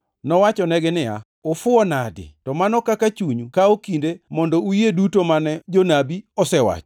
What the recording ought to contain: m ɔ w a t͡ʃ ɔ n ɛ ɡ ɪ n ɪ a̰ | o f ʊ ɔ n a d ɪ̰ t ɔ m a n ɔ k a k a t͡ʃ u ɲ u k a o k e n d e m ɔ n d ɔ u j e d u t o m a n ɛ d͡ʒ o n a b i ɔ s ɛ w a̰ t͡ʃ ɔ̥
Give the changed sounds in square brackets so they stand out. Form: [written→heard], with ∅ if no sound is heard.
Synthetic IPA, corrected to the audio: [m→n] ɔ w a t͡ʃ ɔ n ɛ ɡ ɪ n ɪ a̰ | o f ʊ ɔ n a d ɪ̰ t ɔ m a n ɔ k a k a t͡ʃ u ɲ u k a o k [e→i] n d e m ɔ n d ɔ u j e d u t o m a n ɛ d͡ʒ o n a b i ɔ s ɛ w a̰ t͡ʃ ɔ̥